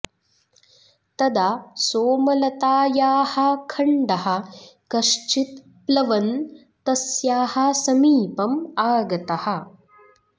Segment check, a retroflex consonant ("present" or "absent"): present